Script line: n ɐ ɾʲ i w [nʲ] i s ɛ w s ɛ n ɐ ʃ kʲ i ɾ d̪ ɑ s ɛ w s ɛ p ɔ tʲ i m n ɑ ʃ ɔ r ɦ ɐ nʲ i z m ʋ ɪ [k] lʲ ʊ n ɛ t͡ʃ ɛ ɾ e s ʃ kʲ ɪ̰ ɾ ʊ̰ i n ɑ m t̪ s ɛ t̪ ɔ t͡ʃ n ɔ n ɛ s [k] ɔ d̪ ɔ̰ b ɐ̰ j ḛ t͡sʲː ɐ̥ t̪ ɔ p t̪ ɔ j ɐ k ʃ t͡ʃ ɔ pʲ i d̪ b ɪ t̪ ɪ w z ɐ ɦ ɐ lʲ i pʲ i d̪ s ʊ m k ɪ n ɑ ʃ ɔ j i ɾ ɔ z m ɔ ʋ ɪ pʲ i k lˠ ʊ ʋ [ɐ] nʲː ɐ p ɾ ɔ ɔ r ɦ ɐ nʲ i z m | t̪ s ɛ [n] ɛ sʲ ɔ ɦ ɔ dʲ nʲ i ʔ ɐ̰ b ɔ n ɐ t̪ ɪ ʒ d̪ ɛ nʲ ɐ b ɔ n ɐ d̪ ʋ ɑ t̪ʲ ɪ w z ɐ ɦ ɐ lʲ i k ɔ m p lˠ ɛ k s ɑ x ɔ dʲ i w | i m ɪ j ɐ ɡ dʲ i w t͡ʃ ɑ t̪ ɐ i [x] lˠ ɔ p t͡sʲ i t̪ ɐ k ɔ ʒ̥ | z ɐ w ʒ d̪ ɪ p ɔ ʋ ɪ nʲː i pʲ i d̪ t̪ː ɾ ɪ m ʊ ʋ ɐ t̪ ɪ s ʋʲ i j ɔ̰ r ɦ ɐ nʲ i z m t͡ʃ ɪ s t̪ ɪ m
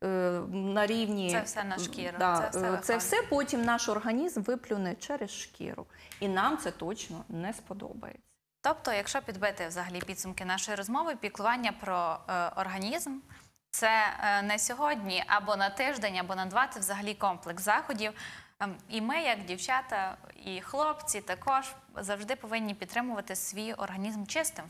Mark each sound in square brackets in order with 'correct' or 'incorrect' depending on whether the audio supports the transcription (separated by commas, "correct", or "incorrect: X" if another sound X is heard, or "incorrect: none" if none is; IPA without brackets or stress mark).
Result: correct, incorrect: p, incorrect: p, incorrect: ɑ, correct, correct